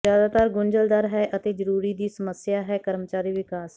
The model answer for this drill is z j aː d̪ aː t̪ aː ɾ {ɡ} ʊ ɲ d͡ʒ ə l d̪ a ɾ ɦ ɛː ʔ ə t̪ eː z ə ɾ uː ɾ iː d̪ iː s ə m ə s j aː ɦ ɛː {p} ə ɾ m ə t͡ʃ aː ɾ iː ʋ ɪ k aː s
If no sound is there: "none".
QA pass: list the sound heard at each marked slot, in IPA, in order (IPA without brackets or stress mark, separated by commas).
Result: ɡ, k